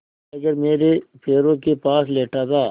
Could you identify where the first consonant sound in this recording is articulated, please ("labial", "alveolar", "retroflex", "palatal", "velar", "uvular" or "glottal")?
velar